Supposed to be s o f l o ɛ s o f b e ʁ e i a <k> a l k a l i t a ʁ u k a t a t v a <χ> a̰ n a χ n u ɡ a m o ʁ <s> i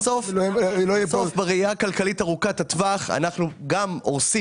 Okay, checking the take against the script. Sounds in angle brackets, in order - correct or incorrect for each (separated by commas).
correct, correct, correct